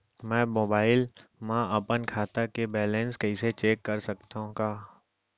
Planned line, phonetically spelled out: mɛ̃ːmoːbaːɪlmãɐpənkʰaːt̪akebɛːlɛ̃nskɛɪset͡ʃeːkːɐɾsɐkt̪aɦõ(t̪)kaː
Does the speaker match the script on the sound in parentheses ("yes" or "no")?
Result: no